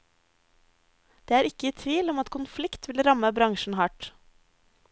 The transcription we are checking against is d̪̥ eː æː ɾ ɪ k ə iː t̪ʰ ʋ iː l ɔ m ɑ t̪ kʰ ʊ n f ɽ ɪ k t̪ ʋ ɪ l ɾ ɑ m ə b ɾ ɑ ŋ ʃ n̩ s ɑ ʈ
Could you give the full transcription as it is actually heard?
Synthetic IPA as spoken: d̪̥ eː æː ɾ ɪ k ə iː t̪ʰ ʋ iː l ɔ m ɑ t̪ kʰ ʊ n f l ɪ k t̪ ʋ ɪ l ɾ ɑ m ə b ɾ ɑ ŋ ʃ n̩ h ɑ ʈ